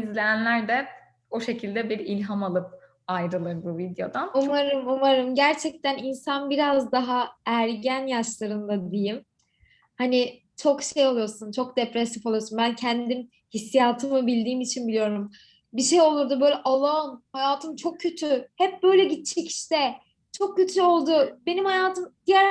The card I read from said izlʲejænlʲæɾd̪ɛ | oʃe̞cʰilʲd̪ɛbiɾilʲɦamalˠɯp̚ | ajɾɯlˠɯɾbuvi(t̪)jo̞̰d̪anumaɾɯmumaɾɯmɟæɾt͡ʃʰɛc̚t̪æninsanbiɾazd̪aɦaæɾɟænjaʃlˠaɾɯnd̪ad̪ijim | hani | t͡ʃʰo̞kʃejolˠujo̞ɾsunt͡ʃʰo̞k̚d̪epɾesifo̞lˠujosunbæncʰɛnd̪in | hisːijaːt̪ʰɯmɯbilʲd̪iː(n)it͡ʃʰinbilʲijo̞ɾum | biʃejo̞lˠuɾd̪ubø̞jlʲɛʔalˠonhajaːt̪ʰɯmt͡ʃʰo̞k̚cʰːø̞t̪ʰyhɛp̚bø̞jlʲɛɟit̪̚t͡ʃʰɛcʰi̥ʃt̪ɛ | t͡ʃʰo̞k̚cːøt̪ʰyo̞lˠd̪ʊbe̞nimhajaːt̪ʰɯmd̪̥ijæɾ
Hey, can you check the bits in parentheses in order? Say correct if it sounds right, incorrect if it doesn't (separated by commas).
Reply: incorrect, incorrect